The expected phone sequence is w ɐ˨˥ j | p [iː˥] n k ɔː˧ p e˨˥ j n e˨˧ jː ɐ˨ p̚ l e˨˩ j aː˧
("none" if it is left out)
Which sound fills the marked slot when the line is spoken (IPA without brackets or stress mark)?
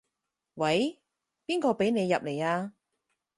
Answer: iː˥